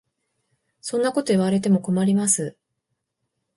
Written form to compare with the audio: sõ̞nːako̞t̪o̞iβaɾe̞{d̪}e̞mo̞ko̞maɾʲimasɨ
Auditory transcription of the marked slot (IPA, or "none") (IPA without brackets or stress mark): t̪